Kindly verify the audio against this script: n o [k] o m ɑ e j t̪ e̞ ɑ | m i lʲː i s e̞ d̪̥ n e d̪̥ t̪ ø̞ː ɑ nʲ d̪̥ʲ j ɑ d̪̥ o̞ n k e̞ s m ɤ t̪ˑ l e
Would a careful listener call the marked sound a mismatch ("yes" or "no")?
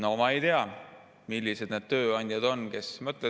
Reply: yes